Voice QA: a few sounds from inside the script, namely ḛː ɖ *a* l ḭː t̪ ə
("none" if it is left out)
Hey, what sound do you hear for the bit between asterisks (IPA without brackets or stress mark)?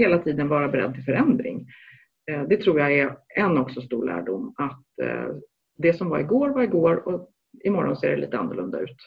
ɛ